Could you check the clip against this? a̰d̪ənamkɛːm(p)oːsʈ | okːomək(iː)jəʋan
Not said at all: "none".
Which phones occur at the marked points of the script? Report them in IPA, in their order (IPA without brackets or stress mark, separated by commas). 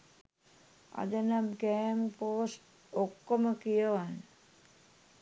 p, i